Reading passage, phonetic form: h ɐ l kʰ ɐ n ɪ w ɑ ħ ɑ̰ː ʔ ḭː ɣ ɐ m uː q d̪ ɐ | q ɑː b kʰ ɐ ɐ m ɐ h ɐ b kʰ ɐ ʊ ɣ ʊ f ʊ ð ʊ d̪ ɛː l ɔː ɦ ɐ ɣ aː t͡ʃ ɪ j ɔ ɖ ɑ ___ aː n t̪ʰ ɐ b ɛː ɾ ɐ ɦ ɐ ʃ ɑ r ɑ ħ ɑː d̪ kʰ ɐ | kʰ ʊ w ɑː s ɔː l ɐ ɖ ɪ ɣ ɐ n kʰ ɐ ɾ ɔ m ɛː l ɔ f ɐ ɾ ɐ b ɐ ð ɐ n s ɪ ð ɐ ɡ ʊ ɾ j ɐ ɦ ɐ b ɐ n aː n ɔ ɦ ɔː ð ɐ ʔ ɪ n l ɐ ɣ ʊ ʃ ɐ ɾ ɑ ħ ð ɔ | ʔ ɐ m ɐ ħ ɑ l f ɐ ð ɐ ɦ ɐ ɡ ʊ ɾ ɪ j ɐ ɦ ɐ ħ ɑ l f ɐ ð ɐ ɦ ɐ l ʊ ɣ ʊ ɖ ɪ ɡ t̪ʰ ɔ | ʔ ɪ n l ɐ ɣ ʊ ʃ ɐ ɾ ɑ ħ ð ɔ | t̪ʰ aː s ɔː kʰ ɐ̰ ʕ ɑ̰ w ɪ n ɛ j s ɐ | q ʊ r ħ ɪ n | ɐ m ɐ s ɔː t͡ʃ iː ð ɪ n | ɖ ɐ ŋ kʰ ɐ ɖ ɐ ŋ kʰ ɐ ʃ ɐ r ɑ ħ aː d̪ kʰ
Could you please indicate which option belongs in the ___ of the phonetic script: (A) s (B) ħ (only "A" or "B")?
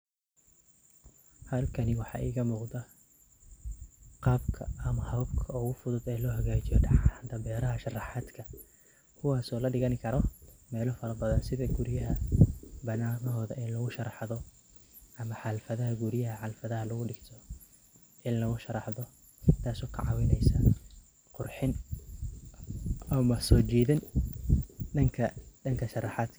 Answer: B